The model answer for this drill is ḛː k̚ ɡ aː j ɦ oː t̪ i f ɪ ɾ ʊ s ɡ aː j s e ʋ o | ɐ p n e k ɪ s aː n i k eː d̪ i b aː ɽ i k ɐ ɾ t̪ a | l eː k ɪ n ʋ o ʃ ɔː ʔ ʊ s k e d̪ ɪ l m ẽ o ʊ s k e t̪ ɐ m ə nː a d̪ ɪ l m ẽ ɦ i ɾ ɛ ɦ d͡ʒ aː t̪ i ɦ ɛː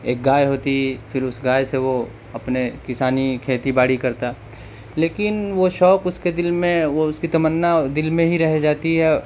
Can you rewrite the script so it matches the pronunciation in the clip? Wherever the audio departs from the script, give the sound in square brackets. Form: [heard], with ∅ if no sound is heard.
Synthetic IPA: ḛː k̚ ɡ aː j ɦ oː t̪ i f ɪ ɾ ʊ s ɡ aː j s e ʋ o | ɐ p n e k ɪ s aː n i [kʰ] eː [t̪] i b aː ɽ i k ɐ ɾ t̪ a | l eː k ɪ n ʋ o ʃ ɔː [k] ʊ s k e d̪ ɪ l m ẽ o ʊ s k [i] t̪ ɐ m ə nː a d̪ ɪ l m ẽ ɦ i ɾ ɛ ɦ d͡ʒ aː t̪ i ɦ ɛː